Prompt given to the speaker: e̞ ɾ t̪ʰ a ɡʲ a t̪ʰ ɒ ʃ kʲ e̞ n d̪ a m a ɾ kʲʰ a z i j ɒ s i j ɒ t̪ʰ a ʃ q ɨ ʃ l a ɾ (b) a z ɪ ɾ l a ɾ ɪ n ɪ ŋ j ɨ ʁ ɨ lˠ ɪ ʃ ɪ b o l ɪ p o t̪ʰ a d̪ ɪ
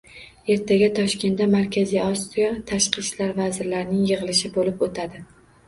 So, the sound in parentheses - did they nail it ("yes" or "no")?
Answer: no